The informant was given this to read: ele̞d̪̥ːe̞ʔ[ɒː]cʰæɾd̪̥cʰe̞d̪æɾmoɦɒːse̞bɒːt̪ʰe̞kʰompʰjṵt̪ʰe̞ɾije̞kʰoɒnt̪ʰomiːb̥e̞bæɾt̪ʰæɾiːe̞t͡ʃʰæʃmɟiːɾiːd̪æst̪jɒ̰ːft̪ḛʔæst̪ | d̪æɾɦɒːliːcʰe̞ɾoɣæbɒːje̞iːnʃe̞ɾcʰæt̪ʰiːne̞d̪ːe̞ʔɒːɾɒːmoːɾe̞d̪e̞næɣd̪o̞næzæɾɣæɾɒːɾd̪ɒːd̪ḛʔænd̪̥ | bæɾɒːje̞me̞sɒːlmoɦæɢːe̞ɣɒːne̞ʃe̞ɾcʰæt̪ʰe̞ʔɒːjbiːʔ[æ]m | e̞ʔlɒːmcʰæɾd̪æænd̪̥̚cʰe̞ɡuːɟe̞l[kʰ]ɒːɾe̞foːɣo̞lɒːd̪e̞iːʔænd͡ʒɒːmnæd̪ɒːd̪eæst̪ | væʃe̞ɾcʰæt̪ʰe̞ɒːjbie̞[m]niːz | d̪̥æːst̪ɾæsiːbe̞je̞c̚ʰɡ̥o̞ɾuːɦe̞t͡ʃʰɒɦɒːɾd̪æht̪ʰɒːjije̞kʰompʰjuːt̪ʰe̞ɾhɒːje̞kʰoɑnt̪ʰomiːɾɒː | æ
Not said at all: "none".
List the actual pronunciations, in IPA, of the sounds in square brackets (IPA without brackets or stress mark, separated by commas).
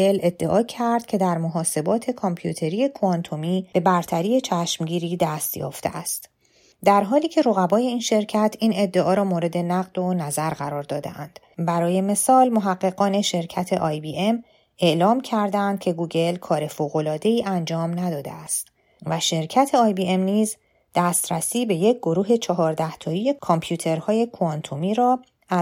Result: ɒː, e, kʰ, m